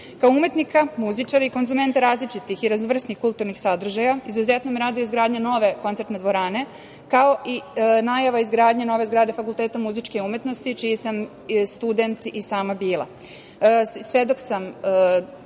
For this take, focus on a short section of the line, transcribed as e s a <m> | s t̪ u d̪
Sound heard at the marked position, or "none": m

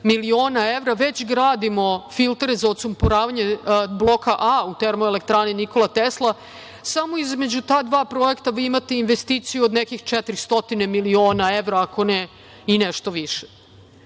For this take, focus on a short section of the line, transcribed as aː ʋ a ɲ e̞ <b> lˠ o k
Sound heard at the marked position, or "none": b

